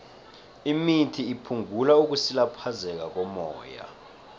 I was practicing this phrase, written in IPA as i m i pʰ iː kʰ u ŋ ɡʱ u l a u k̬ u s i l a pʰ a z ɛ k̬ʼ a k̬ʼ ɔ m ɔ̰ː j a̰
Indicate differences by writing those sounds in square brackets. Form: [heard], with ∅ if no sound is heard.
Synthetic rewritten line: i m i [tʰ] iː [pʰ] u ŋ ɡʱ u l a u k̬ u s i l a pʰ a z ɛ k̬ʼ a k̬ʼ ɔ m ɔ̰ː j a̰